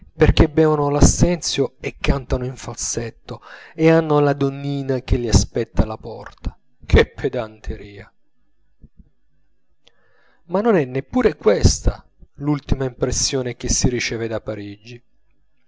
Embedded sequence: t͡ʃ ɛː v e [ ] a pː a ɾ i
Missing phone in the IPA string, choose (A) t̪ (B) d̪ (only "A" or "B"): B